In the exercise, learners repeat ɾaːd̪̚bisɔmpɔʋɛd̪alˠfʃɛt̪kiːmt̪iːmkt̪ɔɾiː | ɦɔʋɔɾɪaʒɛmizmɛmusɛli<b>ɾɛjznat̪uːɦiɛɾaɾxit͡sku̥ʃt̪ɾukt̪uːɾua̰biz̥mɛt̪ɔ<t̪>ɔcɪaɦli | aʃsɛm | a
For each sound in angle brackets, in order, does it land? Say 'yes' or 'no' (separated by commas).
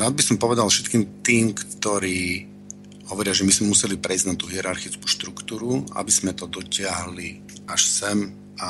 no, no